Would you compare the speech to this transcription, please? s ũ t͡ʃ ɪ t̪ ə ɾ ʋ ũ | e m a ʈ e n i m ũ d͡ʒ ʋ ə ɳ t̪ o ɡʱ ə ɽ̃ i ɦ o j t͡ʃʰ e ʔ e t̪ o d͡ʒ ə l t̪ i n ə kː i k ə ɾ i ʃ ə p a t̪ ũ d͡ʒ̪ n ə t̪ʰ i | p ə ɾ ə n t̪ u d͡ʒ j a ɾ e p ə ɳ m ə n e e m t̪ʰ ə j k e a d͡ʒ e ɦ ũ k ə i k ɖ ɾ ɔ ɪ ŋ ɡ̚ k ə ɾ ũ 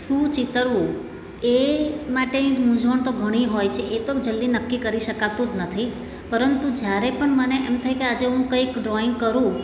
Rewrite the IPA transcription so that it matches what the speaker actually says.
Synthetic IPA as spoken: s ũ t͡ʃ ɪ t̪ ə ɾ ʋ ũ | e m a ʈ e n i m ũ d͡ʒ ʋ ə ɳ t̪ o ɡʱ ə ɽ̃ i ɦ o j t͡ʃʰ e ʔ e t̪ o d͡ʒ ə l d̪ i n ə kː i k ə ɾ i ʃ ə k a t̪ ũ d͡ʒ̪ n ə t̪ʰ i | p ə ɾ ə n t̪ u d͡ʒ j a ɾ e p ə ɳ m ə n e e m t̪ʰ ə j k e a d͡ʒ e ɦ ũ k ə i k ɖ ɾ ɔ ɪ ŋ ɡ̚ k ə ɾ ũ